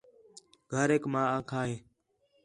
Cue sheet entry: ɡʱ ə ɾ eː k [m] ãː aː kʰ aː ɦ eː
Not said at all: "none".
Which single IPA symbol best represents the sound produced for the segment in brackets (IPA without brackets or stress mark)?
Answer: m